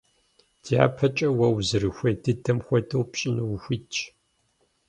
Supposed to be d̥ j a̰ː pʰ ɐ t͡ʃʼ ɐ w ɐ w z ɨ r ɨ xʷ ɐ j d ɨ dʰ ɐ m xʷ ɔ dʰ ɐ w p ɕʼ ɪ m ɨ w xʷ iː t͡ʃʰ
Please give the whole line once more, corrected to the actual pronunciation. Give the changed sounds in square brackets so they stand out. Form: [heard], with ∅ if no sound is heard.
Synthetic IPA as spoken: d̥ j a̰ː pʰ ɐ t͡ʃʼ ɐ w ɐ w z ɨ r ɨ xʷ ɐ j d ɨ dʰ ɐ m xʷ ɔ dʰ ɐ w p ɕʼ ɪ [n] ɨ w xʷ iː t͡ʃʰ